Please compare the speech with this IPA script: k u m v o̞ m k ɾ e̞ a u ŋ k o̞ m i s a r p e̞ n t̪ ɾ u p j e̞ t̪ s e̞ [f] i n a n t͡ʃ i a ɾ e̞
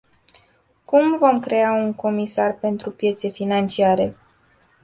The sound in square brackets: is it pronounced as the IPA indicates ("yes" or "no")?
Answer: yes